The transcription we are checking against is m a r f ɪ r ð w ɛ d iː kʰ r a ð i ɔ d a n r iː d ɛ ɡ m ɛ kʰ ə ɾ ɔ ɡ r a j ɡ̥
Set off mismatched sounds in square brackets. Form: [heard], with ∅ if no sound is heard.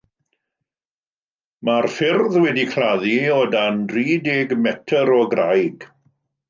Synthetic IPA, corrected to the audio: m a r f ɪ r ð w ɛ d [i] kʰ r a ð i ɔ d a n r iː d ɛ ɡ m ɛ [tʰ] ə ɾ ɔ ɡ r a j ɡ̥